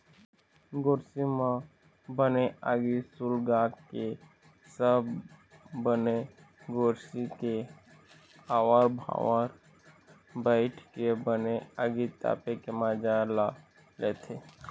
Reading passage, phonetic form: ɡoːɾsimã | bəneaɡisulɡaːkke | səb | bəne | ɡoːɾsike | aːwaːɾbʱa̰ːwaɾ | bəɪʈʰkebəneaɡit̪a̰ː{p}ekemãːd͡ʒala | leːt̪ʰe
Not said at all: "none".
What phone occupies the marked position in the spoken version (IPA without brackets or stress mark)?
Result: p